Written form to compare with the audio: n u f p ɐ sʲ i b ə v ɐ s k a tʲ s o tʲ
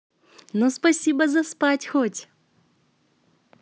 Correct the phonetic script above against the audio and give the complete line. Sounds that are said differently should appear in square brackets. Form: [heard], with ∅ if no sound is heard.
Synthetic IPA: n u [s] p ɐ sʲ i b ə [z] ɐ s [p] a tʲ [x] o tʲ

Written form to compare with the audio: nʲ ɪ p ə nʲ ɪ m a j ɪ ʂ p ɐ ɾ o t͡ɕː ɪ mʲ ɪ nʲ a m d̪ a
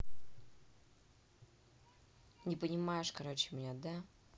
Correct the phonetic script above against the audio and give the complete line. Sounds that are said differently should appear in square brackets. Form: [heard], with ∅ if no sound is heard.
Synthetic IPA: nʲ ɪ p ə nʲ ɪ m a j ɪ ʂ [k] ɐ ɾ o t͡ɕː ɪ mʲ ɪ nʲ a [∅] d̪ a

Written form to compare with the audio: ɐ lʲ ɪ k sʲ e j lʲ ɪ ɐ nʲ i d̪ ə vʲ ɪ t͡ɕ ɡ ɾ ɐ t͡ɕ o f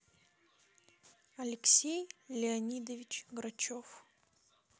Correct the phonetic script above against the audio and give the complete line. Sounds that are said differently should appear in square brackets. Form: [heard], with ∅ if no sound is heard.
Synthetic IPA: ɐ lʲ ɪ k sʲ e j lʲ ɪ ɐ nʲ i d̪ ə vʲ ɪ t͡ɕ ɡ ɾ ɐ t͡ɕ o f

